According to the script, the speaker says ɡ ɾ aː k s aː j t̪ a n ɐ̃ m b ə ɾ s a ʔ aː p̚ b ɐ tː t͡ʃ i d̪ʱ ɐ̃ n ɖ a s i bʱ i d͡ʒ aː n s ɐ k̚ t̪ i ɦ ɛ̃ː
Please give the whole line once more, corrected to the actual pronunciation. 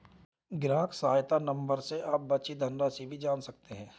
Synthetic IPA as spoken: ɡ ɾ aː k s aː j t̪ a n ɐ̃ m b ə ɾ s e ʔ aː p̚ b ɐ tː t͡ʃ i d̪ʱ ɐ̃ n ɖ a s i bʱ i d͡ʒ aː n s ɐ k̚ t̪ e ɦ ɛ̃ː

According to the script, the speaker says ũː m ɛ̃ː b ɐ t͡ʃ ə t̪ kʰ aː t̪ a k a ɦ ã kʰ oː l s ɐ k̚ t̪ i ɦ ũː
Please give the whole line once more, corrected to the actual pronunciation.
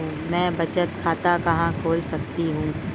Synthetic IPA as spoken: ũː m ɛ̃ː b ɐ t͡ʃ ə t̪ kʰ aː t̪ a k ɐ ɦ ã kʰ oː l s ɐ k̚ t̪ i ɦ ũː

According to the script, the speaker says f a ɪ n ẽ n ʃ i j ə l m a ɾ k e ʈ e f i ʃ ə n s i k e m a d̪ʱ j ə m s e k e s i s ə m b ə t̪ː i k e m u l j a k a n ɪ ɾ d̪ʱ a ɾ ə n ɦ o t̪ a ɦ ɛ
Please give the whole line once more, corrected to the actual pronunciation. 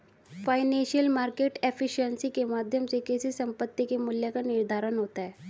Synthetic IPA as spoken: f a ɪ n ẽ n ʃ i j ə l m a ɾ k e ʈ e f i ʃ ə n s i k e m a d̪ʱ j ə m s e k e s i s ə m p ə t̪ː i k e m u l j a k a n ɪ ɾ d̪ʱ a ɾ ə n ɦ o t̪ a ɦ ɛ

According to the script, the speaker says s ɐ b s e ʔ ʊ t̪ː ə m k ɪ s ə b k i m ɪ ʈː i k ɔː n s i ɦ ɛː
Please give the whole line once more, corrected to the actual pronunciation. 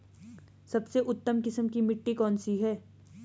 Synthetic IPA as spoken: s ɐ b s e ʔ ʊ t̪ː ə m k ɪ s ə m k i m ɪ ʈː i k ɔː n s i ɦ ɛː

